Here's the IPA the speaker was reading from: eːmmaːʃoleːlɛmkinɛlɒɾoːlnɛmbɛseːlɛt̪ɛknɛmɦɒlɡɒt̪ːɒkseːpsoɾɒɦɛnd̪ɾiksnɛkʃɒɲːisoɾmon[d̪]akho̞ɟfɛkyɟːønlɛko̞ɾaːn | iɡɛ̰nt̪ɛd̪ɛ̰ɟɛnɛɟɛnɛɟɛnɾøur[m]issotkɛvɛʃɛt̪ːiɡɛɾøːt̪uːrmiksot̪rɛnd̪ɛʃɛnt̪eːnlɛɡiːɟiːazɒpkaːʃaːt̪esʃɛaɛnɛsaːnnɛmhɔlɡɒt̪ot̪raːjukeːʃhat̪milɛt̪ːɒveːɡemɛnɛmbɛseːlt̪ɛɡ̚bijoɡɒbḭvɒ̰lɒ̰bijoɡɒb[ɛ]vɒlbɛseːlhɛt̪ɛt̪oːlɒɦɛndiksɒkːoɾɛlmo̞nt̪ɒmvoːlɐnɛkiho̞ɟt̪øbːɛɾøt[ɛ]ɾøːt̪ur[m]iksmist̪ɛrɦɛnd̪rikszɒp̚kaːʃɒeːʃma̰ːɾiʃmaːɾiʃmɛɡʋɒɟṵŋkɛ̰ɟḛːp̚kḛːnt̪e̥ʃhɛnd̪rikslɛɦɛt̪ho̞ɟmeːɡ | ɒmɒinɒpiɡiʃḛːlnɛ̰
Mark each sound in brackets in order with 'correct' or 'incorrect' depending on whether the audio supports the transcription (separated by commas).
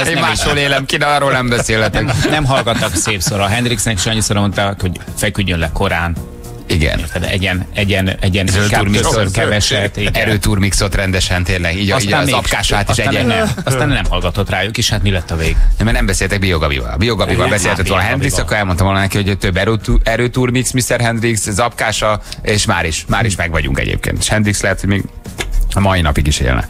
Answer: incorrect, correct, incorrect, correct, correct